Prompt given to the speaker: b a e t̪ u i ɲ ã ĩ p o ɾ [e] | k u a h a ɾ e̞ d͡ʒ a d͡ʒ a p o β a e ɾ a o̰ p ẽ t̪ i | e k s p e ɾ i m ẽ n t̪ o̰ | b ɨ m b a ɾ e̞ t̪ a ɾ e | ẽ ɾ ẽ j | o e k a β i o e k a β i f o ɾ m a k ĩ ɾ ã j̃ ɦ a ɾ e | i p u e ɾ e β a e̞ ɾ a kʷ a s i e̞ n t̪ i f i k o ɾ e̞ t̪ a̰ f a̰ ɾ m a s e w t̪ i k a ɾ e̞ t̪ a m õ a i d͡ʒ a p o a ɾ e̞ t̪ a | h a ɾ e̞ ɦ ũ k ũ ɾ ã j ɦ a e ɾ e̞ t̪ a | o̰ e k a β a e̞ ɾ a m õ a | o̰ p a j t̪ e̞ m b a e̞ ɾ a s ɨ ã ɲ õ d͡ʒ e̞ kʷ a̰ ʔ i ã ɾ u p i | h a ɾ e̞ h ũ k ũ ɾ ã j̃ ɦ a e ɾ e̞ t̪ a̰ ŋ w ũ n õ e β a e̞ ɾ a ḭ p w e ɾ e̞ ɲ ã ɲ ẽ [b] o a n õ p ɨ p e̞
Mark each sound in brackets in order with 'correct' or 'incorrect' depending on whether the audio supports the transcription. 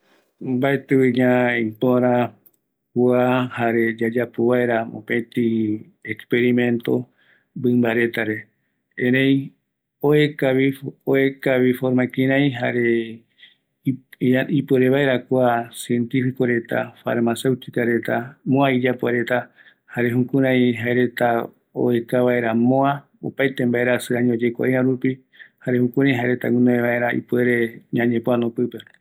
incorrect, incorrect

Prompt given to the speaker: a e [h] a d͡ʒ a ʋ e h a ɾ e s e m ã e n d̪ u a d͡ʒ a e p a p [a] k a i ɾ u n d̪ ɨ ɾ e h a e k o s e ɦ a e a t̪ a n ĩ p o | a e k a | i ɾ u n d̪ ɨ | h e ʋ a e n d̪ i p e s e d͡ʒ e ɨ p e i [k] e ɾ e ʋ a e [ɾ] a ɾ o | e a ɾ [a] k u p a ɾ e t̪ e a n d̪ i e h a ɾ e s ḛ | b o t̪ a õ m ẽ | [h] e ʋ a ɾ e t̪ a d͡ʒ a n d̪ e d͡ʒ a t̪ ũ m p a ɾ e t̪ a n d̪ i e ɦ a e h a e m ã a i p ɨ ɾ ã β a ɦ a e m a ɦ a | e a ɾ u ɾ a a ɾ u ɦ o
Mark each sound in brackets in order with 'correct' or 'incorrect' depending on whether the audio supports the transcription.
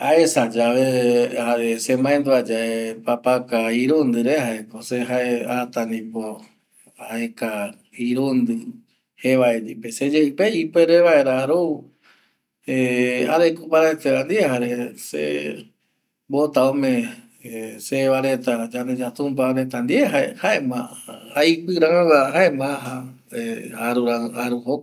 incorrect, correct, incorrect, correct, incorrect, incorrect

